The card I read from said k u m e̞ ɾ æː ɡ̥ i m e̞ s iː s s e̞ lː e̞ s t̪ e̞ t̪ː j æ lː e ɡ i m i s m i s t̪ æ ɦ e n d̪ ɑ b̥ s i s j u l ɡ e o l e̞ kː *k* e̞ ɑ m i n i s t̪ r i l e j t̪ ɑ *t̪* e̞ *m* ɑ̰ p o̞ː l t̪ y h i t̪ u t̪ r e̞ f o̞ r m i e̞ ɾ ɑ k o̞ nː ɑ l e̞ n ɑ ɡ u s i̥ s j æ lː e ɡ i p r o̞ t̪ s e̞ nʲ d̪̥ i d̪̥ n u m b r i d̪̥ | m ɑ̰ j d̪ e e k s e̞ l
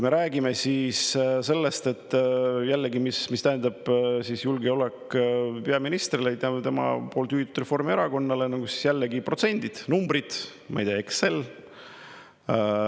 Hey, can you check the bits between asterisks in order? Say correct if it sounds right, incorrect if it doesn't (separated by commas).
incorrect, correct, correct